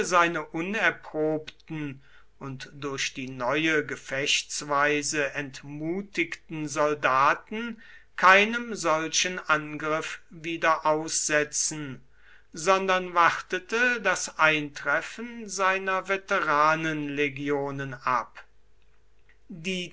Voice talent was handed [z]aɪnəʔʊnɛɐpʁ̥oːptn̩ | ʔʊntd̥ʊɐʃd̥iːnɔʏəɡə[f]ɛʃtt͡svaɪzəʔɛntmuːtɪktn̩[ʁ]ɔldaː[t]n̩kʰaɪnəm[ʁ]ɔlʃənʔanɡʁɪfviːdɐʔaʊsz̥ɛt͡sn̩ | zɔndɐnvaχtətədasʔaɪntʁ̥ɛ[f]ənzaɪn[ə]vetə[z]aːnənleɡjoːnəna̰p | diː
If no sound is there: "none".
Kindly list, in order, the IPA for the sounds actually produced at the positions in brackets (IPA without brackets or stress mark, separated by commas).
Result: z, f, z, t, z, f, ɐ, ʁ